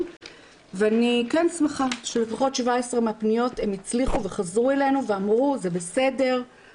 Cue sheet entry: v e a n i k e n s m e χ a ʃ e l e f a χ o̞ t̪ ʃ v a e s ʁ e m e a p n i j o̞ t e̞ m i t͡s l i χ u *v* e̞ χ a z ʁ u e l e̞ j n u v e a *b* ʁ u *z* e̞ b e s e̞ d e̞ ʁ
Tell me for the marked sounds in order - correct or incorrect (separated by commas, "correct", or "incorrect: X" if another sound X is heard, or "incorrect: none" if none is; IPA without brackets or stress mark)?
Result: correct, incorrect: m, correct